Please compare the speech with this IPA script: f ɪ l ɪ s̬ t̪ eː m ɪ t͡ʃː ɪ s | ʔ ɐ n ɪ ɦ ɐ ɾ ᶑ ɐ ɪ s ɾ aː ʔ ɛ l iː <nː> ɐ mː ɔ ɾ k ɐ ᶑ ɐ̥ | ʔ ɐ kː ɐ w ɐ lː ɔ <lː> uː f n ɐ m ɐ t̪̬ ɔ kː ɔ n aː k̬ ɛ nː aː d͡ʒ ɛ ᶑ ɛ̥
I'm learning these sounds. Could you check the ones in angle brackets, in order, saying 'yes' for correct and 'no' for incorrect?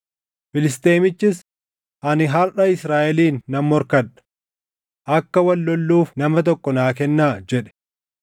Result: yes, yes

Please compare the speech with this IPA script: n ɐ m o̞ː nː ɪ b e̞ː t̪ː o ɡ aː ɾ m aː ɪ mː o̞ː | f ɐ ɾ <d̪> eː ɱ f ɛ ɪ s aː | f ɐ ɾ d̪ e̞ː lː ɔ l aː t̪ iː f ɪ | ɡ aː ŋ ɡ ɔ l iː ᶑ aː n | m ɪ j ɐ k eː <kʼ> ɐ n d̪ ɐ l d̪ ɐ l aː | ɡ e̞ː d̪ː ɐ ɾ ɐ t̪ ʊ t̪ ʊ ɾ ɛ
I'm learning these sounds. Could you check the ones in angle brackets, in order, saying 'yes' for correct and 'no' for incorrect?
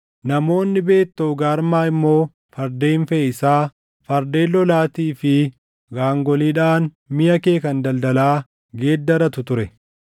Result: yes, no

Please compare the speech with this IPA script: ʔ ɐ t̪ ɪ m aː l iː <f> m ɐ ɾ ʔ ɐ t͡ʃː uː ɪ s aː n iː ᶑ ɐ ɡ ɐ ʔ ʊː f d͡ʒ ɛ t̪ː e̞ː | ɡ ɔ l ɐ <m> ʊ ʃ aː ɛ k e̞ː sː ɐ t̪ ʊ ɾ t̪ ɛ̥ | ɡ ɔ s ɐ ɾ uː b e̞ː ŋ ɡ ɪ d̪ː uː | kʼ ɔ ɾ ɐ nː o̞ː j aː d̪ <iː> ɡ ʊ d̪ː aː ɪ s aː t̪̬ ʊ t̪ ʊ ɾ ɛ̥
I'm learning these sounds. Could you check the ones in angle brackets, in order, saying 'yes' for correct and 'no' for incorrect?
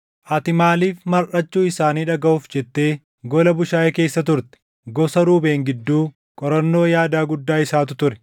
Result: yes, no, no

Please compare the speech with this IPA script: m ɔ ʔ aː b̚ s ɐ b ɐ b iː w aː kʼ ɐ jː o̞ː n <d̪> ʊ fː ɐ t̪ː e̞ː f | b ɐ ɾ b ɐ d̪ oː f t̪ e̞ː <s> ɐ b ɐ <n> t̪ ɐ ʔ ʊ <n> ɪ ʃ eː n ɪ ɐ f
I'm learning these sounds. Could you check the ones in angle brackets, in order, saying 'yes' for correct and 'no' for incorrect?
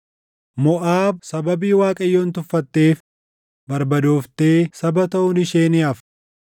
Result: no, yes, no, yes

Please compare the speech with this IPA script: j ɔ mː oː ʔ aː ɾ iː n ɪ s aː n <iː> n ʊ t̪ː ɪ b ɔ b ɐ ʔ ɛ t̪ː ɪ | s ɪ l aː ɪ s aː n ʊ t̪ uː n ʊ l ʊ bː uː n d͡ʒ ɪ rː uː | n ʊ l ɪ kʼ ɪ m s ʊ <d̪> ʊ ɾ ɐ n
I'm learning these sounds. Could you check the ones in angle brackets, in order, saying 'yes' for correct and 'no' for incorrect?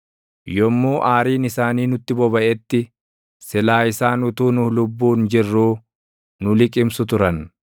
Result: yes, no

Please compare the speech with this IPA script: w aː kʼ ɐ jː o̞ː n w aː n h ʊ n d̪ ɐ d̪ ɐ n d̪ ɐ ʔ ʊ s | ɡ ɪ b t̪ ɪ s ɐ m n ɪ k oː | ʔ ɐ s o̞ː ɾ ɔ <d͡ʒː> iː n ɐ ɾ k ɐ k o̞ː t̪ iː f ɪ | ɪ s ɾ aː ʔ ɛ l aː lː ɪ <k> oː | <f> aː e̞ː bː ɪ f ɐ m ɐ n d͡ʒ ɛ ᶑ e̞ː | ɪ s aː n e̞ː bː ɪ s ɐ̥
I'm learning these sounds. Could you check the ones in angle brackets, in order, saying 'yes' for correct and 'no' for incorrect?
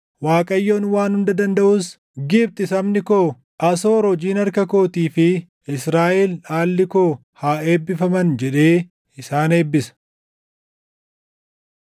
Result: no, yes, no

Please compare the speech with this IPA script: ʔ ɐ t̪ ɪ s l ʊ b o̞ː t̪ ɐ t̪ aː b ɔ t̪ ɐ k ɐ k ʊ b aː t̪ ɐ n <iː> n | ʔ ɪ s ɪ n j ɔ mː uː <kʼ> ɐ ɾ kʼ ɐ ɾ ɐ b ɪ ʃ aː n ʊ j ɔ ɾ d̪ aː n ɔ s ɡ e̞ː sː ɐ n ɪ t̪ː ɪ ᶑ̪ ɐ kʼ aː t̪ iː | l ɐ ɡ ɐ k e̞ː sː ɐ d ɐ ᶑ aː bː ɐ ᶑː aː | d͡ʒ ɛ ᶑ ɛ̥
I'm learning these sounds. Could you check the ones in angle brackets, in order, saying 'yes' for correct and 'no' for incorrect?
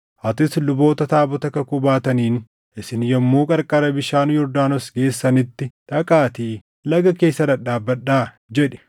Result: yes, yes

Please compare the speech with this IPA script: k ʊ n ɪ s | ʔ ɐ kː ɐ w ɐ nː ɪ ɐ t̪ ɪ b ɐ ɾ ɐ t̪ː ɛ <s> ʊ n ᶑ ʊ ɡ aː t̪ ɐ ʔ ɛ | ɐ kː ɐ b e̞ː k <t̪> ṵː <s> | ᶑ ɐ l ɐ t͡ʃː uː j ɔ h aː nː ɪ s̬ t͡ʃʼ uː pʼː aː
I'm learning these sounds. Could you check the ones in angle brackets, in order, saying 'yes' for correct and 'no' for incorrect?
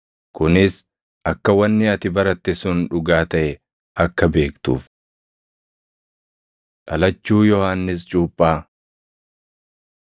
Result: yes, yes, no

